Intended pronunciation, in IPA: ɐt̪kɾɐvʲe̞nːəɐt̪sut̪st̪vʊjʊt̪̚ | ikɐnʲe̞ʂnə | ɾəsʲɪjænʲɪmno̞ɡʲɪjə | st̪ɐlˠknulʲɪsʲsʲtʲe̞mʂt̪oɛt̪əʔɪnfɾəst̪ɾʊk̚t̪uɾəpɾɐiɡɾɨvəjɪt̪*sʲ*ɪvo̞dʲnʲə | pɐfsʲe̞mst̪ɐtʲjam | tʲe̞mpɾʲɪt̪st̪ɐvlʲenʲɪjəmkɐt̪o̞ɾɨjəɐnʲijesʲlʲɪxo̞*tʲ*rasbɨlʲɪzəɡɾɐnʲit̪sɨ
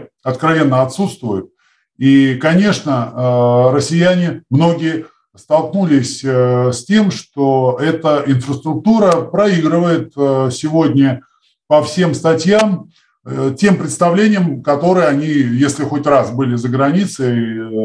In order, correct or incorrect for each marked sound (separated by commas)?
correct, correct